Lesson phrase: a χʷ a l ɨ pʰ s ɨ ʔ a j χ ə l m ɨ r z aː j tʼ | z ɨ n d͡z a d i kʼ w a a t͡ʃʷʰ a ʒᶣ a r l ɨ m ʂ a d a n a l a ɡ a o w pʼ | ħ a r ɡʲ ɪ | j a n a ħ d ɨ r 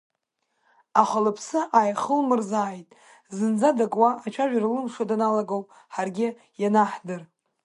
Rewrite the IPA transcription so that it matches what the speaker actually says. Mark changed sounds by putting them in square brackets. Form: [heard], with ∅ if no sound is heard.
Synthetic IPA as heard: a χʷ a l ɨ pʰ s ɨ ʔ a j χ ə l m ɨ r z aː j tʼ | z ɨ n d͡z a d [a] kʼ w a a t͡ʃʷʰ a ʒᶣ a r l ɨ m ʂ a d a n a l a ɡ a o w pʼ | ħ a r ɡʲ ɪ | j a n a ħ d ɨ r